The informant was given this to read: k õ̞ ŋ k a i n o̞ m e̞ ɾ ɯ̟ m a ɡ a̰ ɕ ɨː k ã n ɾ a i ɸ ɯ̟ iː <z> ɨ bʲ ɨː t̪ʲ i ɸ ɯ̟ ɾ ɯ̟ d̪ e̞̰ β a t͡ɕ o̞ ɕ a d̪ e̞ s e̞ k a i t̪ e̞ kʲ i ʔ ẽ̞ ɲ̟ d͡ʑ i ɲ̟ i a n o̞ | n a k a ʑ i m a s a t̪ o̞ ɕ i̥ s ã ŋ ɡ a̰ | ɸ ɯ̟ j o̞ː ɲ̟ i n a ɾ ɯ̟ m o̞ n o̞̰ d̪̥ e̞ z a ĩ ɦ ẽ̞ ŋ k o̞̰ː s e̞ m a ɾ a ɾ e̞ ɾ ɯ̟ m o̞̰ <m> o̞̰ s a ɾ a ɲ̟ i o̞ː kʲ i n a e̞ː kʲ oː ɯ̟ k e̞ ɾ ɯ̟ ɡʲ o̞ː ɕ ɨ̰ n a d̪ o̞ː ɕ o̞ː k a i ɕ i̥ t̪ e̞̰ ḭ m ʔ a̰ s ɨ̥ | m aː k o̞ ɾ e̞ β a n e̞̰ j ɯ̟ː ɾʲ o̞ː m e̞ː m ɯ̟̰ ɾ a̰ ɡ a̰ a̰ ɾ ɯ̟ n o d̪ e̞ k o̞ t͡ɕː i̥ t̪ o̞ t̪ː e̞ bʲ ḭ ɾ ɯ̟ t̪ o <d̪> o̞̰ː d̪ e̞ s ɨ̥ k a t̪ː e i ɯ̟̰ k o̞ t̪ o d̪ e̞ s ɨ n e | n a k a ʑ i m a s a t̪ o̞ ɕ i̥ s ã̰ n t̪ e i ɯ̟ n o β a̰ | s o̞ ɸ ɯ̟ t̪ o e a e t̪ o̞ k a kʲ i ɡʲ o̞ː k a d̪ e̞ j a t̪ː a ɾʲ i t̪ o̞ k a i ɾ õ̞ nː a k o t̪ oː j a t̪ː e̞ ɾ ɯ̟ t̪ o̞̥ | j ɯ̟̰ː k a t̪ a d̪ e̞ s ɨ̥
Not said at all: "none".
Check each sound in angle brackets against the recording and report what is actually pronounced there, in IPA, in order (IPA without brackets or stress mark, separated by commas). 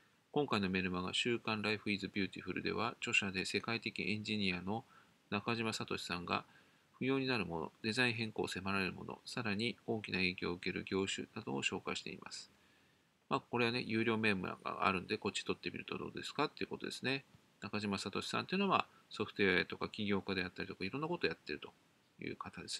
z, n, d̪